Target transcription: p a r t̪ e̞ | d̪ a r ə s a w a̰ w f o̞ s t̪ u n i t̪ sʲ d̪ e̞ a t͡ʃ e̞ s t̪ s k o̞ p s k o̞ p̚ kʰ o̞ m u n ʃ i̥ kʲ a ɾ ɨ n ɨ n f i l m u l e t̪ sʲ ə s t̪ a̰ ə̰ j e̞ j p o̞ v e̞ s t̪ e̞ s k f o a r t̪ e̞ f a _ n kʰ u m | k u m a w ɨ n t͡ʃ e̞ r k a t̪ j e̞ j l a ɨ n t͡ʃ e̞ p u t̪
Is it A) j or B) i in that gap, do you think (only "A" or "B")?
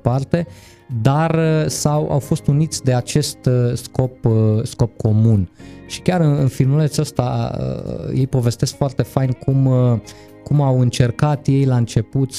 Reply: A